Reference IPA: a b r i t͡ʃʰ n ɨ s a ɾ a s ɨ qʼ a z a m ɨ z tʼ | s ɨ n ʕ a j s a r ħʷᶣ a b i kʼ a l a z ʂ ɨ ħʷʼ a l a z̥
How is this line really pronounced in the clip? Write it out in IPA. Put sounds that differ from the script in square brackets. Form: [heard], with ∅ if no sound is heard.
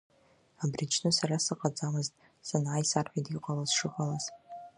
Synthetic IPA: a b r i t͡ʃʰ n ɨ s a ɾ a s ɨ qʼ a [d͡z] a m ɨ z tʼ | s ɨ n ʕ a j s a r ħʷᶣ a [d] i [qʼ] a l a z ʂ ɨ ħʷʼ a l a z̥